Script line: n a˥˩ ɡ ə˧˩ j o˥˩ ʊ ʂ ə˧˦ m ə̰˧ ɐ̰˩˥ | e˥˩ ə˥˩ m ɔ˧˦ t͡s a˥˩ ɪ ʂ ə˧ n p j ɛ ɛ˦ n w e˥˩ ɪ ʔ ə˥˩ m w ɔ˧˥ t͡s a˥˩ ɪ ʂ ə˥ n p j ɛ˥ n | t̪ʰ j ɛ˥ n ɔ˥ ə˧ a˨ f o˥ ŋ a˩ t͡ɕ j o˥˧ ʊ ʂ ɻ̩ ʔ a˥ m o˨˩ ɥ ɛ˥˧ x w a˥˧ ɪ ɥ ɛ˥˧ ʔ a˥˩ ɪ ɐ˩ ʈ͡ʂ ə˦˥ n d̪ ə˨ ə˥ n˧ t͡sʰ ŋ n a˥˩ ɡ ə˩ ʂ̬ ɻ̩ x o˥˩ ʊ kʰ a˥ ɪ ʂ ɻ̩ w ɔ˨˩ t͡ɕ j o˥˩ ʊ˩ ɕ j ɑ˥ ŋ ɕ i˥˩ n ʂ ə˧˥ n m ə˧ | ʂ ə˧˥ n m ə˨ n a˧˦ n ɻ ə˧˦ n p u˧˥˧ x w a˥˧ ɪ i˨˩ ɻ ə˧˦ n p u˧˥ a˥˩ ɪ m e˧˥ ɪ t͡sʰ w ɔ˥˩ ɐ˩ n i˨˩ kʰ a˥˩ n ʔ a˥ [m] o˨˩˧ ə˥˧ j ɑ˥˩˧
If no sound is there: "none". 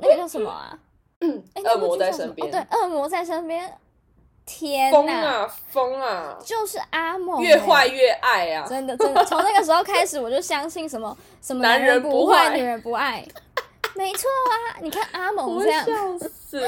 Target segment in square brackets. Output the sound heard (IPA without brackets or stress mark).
m